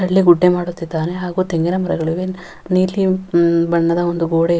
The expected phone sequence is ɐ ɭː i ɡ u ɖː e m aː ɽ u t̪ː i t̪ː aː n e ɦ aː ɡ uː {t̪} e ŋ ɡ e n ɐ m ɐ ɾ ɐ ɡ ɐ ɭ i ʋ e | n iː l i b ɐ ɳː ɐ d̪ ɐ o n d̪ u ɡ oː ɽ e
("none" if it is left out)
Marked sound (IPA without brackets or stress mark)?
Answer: t̪